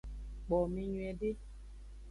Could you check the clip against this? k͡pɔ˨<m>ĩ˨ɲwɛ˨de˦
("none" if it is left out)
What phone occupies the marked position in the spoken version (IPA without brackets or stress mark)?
m